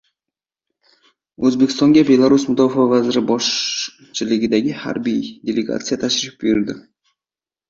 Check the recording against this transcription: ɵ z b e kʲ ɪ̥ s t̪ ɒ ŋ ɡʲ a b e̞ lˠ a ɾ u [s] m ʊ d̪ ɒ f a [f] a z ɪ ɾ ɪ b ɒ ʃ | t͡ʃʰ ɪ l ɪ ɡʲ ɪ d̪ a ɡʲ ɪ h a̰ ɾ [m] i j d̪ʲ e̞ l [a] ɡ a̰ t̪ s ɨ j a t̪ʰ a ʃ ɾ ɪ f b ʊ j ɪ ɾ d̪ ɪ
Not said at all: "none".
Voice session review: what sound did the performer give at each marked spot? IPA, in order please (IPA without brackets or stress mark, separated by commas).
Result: s, v, b, e